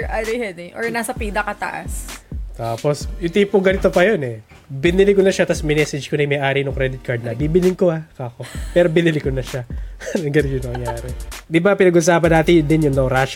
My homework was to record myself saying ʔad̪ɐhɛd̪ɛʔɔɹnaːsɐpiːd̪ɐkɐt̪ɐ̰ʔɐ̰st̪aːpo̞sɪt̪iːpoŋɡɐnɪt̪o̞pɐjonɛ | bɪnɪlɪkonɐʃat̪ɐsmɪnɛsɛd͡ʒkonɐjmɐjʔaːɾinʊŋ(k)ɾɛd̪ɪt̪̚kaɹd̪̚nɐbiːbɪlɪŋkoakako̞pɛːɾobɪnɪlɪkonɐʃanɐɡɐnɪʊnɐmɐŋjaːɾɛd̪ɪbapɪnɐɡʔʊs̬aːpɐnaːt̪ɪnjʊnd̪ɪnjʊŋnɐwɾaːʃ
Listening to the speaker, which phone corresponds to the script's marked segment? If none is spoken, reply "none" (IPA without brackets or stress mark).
k